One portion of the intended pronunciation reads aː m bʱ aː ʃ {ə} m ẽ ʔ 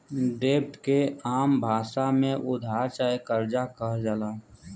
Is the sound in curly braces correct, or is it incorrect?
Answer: incorrect